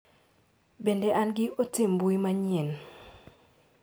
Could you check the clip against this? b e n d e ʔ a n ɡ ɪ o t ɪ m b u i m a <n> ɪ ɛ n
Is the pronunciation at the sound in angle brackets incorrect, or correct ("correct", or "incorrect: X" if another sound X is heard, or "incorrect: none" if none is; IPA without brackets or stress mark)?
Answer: incorrect: ɲ